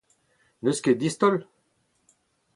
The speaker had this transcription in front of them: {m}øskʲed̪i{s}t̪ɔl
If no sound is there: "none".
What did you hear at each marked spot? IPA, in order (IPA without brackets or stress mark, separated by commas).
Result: n, s